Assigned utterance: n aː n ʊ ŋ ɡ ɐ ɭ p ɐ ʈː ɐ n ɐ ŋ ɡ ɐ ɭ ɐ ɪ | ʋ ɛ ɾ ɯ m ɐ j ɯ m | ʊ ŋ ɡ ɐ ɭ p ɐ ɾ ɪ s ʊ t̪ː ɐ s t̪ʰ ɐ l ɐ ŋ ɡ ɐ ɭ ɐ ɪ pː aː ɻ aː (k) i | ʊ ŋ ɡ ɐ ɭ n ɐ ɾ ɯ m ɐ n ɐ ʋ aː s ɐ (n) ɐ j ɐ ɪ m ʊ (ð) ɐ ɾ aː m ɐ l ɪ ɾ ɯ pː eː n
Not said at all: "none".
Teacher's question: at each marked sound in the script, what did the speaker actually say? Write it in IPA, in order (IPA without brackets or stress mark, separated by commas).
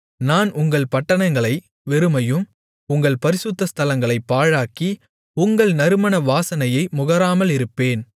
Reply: k, n, ɣ